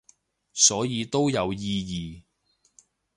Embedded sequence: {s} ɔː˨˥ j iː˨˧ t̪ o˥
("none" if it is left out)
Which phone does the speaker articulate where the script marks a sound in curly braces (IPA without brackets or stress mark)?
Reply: s